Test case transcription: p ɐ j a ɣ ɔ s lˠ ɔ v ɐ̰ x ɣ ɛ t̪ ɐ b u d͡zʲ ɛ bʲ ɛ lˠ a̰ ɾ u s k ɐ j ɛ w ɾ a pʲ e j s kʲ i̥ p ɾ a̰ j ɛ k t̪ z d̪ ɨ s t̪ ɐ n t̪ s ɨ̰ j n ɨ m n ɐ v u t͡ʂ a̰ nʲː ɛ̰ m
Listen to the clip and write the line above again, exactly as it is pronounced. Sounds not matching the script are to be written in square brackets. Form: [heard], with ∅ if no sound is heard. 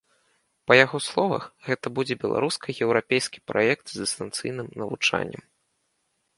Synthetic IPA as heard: p ɐ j a ɣ ɔ s lˠ ɔ v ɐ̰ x ɣ ɛ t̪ ɐ b u d͡zʲ ɛ bʲ ɛ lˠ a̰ ɾ u s k ɐ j ɛ w ɾ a pʲ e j s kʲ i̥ p ɾ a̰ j ɛ k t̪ z d̪ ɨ s t̪ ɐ n t̪ s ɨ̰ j n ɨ m n ɐ v u t͡ʂ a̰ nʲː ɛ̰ m